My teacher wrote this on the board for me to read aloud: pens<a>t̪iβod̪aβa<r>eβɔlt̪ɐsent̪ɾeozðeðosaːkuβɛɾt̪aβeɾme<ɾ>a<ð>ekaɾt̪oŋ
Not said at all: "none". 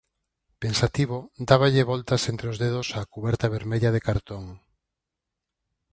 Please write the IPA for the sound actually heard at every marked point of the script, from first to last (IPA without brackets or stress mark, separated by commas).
a, ʎ, ʎ, ð